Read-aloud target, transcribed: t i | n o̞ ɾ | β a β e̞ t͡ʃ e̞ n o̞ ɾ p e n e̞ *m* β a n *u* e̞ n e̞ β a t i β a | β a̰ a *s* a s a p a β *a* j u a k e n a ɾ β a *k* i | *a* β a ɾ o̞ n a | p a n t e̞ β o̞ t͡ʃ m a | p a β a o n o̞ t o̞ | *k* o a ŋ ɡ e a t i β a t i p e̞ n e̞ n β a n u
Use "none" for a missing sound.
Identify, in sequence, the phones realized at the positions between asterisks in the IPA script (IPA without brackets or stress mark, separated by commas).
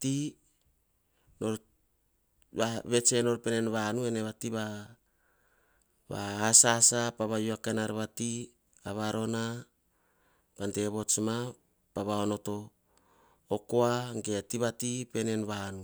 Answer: n, u, s, a, t, a, k